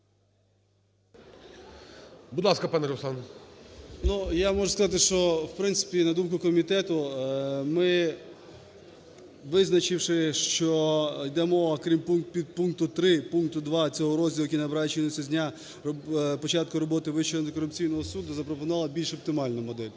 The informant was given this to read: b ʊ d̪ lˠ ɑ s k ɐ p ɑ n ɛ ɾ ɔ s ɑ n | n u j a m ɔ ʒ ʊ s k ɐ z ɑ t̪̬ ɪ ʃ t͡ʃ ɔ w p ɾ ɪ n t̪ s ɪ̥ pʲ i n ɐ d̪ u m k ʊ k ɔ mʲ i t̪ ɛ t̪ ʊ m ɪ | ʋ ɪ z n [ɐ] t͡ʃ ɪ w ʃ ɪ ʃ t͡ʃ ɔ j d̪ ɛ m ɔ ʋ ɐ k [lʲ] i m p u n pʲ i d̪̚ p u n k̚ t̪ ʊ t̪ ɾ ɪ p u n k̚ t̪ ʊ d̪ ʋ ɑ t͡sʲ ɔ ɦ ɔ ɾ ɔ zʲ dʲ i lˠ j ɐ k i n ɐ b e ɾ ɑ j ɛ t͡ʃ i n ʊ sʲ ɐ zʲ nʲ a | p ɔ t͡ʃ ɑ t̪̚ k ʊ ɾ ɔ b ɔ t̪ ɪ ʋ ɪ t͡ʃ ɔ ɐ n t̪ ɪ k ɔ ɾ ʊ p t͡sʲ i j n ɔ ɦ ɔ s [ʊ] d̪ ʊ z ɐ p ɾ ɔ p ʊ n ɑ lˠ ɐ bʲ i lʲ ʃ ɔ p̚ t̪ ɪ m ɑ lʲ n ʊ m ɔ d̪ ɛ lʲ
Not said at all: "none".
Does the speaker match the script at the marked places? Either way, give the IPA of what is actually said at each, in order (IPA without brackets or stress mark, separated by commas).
ɐ, ɾʲ, u